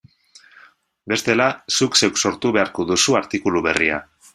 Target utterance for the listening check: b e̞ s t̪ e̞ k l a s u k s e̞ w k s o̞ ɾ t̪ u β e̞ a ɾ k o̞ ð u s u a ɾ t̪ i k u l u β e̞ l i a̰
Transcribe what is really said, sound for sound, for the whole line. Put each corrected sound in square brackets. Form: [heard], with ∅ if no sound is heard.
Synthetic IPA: b e̞ s t̪ e̞ [∅] l a s u k s e̞ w k s o̞ ɾ t̪ u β e̞ a ɾ k o̞ ð u s u a ɾ t̪ i k u l u β e̞ [r] i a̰